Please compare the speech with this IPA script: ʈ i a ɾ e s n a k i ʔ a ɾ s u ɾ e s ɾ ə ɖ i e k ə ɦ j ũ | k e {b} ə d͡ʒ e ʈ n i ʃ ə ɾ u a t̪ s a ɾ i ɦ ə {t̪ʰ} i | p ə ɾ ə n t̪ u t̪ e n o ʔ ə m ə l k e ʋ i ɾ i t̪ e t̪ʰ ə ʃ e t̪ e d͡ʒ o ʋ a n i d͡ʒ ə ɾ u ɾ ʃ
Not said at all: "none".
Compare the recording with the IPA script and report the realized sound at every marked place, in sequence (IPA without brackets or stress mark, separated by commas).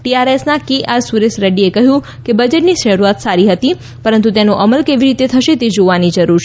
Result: b, t̪